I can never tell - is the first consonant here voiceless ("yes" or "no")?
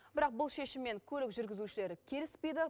no